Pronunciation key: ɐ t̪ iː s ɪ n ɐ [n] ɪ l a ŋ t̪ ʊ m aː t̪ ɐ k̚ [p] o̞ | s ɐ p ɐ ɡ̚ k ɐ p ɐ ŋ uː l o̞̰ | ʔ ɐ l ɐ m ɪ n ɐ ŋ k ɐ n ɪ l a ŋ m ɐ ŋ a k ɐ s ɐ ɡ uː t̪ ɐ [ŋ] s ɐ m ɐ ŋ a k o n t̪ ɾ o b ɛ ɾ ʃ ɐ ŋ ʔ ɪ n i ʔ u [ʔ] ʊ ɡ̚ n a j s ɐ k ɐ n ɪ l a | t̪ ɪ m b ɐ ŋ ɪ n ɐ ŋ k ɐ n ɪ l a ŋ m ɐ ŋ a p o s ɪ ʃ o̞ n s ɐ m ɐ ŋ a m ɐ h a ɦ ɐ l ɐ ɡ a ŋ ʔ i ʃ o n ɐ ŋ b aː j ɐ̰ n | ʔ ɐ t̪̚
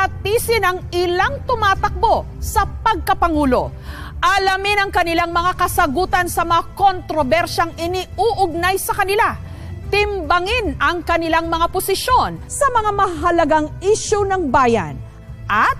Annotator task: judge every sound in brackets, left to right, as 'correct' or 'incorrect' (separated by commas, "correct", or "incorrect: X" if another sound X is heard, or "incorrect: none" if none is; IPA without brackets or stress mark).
incorrect: ŋ, incorrect: b, incorrect: n, correct